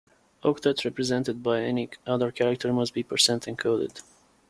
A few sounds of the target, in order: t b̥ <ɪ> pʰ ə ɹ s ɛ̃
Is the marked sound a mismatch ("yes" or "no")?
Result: yes